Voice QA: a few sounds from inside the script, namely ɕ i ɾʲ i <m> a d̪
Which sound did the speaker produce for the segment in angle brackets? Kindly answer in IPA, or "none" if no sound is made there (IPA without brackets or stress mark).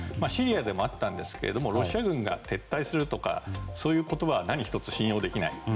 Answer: none